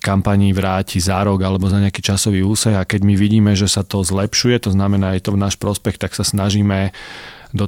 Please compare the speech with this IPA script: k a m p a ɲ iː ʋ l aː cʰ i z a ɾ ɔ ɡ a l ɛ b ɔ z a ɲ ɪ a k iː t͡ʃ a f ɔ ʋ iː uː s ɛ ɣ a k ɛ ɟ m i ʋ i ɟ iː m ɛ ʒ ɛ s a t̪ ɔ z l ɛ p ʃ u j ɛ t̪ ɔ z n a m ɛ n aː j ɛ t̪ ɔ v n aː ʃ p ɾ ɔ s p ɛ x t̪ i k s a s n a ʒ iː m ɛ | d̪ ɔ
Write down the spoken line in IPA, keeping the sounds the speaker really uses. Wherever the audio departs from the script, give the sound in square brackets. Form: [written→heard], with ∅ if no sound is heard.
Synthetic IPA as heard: k a m p a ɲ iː ʋ [l→ɾ] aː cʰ i z a ɾ ɔ ɡ a l ɛ b ɔ z a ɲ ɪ a k iː t͡ʃ a [f→s] ɔ ʋ iː uː s ɛ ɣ a k ɛ ɟ m i ʋ i ɟ iː m ɛ ʒ ɛ s a t̪ ɔ z l ɛ p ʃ u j ɛ t̪ ɔ z n a m ɛ n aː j ɛ t̪ ɔ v n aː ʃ p ɾ ɔ s p ɛ x t̪ [i→a] k s a s n a ʒ iː m ɛ | d̪ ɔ